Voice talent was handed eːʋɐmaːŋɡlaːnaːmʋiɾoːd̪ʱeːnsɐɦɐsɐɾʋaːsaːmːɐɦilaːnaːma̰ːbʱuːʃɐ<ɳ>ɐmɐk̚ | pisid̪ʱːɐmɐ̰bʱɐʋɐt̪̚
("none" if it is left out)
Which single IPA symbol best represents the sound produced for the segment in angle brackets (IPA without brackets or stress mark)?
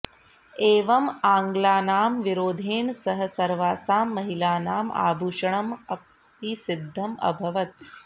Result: ɳ